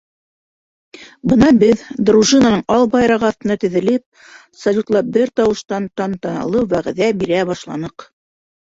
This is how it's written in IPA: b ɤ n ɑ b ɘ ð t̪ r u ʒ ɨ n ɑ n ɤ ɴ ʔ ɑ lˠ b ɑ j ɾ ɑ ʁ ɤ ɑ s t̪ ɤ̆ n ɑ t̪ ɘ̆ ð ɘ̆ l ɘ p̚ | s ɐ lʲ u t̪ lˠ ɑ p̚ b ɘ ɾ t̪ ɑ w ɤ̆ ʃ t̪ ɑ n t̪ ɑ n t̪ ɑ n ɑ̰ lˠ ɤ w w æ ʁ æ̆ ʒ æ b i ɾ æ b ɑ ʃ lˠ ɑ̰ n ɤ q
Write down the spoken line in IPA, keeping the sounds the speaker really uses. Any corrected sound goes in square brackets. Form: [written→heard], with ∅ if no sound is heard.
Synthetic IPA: b ɤ n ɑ b ɘ ð [t̪→d̪] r u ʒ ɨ n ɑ n ɤ ɴ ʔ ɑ lˠ b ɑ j ɾ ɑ ʁ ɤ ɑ [s→θ] t̪ ɤ̆ n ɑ t̪ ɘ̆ ð ɘ̆ l ɘ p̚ | s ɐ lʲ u t̪ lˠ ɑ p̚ b ɘ ɾ t̪ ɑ w ɤ̆ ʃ t̪ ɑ n t̪ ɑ n t̪ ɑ n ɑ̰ lˠ ɤ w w æ ʁ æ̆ [ʒ→ð] æ b i ɾ æ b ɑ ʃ lˠ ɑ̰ n ɤ q